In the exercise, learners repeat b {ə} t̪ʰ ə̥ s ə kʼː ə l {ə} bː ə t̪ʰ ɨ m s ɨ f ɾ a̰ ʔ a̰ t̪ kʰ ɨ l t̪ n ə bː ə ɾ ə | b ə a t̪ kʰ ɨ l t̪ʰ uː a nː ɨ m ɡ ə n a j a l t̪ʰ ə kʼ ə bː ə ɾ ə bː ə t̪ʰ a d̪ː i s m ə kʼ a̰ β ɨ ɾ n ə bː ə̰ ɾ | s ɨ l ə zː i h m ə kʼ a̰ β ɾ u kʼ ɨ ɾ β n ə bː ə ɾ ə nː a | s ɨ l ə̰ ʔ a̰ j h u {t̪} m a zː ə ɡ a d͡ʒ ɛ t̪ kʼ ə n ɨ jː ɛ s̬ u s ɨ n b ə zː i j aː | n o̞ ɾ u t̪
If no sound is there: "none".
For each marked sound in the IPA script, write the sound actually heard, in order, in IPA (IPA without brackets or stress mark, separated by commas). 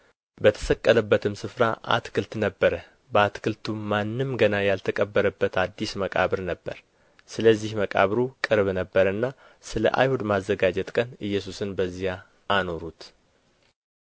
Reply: ə, ə, d̪